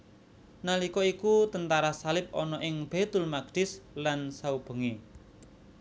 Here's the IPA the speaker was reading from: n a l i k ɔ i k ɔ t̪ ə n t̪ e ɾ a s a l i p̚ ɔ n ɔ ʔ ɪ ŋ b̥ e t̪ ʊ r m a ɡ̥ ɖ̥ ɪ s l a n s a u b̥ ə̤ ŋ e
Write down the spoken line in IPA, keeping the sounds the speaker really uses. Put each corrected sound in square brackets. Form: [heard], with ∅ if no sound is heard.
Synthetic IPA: n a l i k ɔ i k [u] t̪ ə n t̪ [a] ɾ a s a l [ɪ] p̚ ɔ n ɔ ʔ ɪ ŋ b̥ e t̪ ʊ [l] m a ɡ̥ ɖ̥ ɪ s l a n s a u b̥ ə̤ ŋ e